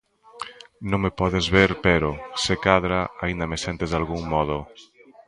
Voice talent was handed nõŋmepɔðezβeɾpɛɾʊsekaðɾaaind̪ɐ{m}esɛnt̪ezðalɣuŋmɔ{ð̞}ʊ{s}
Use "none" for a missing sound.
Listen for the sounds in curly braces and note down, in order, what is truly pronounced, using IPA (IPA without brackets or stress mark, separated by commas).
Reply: m, ð̞, none